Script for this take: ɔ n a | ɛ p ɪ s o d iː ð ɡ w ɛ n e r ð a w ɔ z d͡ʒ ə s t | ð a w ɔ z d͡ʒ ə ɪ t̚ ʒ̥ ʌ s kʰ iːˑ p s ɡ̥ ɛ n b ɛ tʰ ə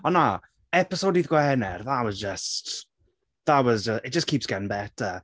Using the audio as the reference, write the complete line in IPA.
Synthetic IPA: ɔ n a | ɛ p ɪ s o d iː ð ɡ w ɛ n ɛ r ð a w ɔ z d͡ʒ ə s t | ð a w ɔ z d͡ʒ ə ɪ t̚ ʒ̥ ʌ s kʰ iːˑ p s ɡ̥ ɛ n b ɛ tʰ ə